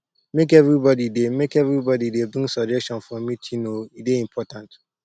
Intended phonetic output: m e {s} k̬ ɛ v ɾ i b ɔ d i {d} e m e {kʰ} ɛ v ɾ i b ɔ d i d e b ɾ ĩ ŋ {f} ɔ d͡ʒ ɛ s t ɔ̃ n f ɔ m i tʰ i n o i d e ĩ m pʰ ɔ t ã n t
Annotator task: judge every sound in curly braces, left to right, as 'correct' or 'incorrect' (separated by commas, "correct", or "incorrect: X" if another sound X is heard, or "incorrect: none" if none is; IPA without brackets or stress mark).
incorrect: none, correct, incorrect: k, incorrect: s